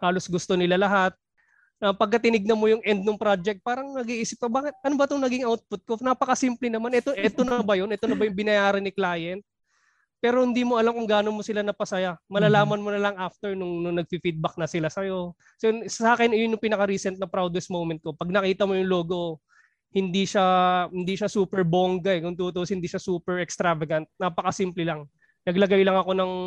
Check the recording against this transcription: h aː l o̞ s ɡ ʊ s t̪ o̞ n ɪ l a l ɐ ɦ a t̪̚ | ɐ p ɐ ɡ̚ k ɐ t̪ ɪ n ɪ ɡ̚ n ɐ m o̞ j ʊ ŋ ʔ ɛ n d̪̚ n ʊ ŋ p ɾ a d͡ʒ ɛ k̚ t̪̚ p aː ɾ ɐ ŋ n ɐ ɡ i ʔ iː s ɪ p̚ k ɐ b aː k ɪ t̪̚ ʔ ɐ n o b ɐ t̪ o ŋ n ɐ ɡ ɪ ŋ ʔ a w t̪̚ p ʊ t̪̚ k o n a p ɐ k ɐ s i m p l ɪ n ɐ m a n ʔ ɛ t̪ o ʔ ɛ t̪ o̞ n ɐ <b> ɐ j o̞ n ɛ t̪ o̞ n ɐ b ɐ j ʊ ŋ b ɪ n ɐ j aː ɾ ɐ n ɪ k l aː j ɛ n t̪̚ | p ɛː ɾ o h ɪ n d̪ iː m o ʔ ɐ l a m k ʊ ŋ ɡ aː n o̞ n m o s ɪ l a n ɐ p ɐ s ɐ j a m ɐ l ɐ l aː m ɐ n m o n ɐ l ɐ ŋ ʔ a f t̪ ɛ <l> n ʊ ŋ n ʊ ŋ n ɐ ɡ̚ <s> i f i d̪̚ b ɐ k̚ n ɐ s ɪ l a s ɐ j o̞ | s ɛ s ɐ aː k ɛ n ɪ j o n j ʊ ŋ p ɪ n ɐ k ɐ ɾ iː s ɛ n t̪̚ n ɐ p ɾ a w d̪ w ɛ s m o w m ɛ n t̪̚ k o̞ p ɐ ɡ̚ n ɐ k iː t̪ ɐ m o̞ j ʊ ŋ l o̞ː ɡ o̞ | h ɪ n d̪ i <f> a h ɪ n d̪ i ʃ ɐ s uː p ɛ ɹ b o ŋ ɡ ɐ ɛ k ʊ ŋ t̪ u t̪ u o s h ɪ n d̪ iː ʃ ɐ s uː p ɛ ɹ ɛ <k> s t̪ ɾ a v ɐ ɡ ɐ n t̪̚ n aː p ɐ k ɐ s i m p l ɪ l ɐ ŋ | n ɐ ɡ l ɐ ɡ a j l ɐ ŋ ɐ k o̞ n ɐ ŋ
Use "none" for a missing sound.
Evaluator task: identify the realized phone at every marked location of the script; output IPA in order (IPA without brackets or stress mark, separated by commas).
b, ɹ, f, ʃ, k